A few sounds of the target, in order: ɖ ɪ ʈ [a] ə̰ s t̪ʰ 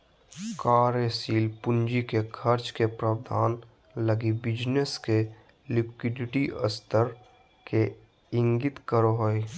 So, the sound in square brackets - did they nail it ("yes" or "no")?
no